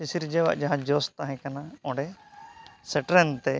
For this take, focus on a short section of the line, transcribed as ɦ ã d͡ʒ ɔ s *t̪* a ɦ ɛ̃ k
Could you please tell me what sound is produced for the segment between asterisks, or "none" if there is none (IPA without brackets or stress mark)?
t̪